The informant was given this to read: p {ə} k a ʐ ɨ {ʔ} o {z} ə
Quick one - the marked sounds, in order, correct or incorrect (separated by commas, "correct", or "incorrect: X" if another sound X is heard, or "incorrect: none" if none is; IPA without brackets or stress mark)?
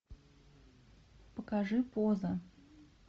correct, incorrect: p, correct